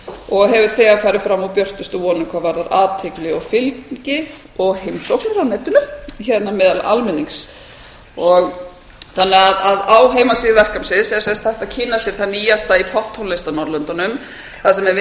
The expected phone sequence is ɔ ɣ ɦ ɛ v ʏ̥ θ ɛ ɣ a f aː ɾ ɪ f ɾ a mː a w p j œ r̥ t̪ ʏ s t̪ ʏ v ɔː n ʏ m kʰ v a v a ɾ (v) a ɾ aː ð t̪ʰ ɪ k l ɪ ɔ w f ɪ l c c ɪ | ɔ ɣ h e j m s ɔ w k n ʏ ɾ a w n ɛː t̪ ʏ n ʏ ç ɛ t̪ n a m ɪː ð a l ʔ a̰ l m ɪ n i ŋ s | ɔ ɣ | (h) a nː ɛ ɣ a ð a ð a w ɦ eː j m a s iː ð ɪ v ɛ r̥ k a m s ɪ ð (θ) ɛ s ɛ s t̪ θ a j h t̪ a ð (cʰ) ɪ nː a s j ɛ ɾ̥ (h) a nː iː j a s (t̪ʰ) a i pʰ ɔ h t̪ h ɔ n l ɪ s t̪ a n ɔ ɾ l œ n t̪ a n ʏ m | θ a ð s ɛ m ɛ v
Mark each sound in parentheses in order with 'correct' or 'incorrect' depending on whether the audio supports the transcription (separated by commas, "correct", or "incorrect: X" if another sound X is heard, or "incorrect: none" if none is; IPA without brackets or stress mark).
incorrect: ð, incorrect: θ, incorrect: s, correct, incorrect: θ, incorrect: t̪